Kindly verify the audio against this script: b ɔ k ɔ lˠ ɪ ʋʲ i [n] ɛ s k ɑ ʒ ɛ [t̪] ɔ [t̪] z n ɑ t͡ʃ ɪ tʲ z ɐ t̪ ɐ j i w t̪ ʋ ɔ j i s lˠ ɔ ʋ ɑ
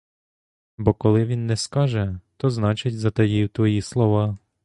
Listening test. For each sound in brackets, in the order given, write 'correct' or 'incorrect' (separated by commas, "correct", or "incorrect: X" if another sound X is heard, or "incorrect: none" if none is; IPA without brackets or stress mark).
incorrect: nː, correct, incorrect: none